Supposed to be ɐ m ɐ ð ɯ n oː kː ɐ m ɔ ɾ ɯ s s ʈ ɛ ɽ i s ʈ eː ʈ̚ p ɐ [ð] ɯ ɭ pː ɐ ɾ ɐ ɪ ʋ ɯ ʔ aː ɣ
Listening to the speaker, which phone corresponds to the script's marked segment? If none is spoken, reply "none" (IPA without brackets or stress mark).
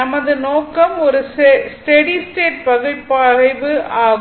ɣ